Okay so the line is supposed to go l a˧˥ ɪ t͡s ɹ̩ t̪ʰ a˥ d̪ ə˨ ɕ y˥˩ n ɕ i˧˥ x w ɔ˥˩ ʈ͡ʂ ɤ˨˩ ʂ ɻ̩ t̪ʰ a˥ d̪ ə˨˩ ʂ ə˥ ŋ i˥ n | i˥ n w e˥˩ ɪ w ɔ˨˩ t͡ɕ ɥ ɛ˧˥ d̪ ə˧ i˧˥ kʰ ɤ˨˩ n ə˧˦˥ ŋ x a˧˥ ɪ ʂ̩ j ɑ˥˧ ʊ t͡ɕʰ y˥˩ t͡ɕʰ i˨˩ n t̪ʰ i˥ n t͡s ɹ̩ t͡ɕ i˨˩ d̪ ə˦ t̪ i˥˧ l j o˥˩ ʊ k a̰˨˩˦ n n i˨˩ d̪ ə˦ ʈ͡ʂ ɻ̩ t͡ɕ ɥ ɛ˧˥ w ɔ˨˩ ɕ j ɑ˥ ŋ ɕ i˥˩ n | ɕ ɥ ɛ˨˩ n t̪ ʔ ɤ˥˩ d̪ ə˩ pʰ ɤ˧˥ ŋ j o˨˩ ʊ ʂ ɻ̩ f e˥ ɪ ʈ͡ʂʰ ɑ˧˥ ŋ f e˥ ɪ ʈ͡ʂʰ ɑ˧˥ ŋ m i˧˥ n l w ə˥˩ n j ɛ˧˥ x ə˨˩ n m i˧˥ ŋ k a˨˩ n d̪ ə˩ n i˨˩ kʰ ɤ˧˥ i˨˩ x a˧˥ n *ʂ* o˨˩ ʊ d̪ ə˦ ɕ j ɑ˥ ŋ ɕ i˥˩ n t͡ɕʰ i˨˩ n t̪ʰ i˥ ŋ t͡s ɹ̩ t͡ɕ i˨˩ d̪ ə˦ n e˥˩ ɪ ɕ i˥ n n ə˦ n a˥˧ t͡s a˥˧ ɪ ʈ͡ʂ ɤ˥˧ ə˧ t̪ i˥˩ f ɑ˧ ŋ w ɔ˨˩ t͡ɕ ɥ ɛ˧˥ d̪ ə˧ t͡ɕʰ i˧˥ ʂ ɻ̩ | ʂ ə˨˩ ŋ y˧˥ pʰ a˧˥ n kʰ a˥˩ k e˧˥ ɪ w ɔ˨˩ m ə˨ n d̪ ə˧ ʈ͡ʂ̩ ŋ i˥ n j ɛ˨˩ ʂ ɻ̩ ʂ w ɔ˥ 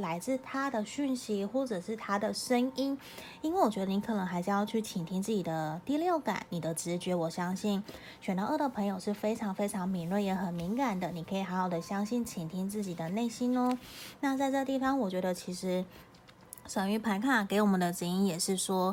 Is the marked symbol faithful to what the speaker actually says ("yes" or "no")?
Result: no